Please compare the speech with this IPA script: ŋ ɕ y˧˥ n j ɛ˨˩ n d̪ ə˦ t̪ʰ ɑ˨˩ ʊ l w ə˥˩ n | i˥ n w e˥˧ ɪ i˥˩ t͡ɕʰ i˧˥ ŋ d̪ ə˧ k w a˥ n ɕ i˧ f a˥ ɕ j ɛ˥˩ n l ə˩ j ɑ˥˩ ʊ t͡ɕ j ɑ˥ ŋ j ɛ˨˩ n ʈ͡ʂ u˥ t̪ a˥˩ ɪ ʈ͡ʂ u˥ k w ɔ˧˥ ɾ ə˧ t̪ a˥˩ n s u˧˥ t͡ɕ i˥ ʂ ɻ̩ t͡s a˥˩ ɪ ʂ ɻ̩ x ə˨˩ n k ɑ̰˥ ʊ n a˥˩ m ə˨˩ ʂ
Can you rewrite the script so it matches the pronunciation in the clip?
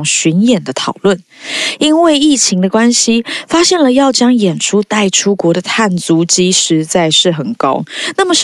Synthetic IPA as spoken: ŋ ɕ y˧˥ n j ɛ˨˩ n d̪ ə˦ t̪ʰ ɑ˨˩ ʊ l w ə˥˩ n | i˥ n w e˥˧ ɪ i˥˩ t͡ɕʰ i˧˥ ŋ d̪ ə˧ k w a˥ n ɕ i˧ f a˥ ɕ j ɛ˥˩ n l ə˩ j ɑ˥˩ ʊ t͡ɕ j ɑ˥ ŋ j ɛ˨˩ n ʈ͡ʂʰ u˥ t̪ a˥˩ ɪ ʈ͡ʂʰ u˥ k w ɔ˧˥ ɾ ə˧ t̪ʰ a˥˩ n t͡s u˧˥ t͡ɕ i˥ ʂ ɻ̩ t͡s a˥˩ ɪ ʂ ɻ̩ x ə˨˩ n k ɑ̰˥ ʊ n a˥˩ m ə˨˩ ʂ